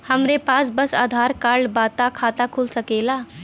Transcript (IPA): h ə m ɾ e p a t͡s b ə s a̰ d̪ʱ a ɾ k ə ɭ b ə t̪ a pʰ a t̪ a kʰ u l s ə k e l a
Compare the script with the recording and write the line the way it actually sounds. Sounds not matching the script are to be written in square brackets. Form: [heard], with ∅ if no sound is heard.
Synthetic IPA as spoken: h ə m ɾ e p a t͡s b ə s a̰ d̪ʱ a ɾ k [a] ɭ b [a] t̪ a [kʰ] a t̪ a kʰ u l s ə k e l a

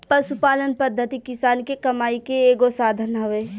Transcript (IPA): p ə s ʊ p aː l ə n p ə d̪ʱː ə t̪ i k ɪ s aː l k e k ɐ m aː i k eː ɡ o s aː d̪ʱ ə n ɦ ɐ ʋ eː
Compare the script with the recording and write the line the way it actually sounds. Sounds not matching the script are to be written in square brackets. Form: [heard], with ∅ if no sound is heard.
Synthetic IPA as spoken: p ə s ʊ p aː l ə n p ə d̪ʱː ə t̪ i k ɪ s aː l k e k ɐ m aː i k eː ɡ o s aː d̪ʱ ə n ɦ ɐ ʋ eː

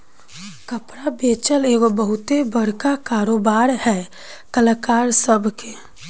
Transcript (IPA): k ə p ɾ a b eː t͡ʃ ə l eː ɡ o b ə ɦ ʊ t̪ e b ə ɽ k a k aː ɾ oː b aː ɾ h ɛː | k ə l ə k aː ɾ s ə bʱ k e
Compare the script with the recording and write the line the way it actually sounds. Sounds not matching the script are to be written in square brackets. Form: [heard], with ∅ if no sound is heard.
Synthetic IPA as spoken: k ə p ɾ a b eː t͡ʃ ə l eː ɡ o b ə ɦ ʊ t̪ e b ə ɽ k a k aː ɾ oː b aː ɾ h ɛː | k ə l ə k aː ɾ s ə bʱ k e

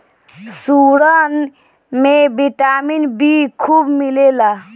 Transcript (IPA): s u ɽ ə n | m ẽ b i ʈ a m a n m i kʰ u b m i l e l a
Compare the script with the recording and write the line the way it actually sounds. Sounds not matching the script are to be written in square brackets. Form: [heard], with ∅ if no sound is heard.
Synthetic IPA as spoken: s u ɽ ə n | m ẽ b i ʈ a m [i] n [b] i kʰ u b m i l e l a

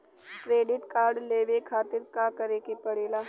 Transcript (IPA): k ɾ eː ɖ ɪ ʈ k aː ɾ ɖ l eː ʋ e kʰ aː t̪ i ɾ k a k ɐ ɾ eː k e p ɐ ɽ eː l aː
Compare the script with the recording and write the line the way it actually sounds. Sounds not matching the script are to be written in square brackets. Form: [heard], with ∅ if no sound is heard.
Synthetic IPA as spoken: k ɾ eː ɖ ɪ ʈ k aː ɾ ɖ l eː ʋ e kʰ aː t̪ [ɪ] ɾ k a k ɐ ɾ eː k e p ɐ ɽ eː l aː

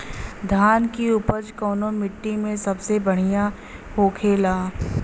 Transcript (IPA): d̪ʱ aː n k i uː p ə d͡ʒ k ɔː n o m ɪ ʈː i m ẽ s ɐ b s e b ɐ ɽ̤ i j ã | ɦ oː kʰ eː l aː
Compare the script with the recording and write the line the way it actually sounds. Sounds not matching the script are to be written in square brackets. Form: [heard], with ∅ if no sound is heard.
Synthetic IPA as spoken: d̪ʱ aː n k i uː p ə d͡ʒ k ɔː n o m ɪ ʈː i m ẽ s ɐ b s e b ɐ ɽ̤ i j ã | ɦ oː kʰ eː l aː

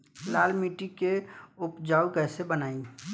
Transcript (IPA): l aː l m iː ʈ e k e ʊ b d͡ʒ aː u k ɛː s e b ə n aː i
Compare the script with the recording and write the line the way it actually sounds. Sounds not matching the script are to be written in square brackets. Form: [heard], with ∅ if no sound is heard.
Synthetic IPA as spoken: l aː l m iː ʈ [i] k e ʊ [p] d͡ʒ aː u k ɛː s e b ə n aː i

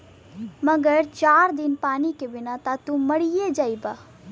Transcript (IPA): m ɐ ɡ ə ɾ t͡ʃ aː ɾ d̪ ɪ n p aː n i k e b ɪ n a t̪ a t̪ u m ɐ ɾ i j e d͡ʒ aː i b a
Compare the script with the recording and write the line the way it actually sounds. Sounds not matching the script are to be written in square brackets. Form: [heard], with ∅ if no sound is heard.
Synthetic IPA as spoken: m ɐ ɡ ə ɾ t͡ʃ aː ɾ d̪ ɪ n p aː n i k e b ɪ n a t̪ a t̪ u m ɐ [ɽ] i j e d͡ʒ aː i b a

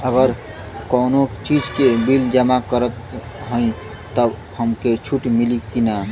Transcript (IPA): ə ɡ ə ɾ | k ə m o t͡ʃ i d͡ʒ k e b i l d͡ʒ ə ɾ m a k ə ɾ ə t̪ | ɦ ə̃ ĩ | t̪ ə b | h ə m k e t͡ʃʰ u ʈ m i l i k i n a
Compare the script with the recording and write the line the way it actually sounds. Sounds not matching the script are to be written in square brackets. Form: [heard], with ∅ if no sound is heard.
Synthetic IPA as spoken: ə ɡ ə ɾ | k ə [n] o t͡ʃ i d͡ʒ k e b i l d͡ʒ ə [∅] m a k ə ɾ ə t̪ | ɦ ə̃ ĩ | t̪ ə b | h ə m k e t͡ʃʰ u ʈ m i l i k i n a

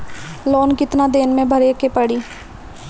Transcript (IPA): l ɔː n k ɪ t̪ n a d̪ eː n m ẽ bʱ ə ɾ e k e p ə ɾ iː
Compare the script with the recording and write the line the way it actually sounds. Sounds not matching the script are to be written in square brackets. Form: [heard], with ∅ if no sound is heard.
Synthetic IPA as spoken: l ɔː n k ɪ t̪ n a d̪ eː n m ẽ bʱ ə ɾ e k e p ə [ɽ] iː

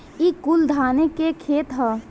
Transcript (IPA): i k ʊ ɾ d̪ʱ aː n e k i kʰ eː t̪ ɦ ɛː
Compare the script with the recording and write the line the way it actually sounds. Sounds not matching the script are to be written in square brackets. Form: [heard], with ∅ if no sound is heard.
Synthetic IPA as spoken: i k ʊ [l] d̪ʱ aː n e k [e] kʰ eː t̪ ɦ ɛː

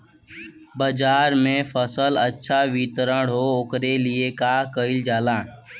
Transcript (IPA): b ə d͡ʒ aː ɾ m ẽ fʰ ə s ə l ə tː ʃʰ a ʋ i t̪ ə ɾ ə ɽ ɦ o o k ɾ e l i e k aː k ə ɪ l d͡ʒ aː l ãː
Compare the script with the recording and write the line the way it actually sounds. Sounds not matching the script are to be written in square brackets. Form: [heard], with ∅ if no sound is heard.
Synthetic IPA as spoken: b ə d͡ʒ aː ɾ m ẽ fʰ ə s ə l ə tː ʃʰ a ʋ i t̪ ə ɾ ə ɽ ɦ o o k ɾ e l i e k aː k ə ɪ l d͡ʒ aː l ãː

